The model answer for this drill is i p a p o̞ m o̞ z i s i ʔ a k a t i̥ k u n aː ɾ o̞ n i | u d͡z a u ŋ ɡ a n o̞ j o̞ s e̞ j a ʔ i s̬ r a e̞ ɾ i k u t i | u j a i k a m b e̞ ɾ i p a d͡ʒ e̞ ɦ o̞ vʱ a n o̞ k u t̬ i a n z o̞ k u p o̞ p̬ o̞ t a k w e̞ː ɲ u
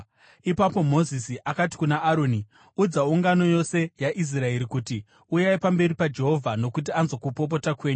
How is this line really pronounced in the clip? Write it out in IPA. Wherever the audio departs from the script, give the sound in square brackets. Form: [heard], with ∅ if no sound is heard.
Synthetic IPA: i p a p o̞ m o̞ z i s i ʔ a k a t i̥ k u n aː ɾ o̞ n i | u d͡z a u ŋ ɡ a n o̞ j o̞ s e̞ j a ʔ i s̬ r a e̞ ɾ i k u t i | u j a i [p] a m b e̞ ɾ i p a d͡ʒ e̞ ɦ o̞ vʱ a n o̞ k u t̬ i a n z o̞ k u p o̞ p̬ o̞ t a k w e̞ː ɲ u